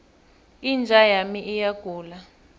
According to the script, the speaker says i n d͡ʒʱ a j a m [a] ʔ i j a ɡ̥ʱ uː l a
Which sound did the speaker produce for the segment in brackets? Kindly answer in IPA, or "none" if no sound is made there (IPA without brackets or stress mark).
i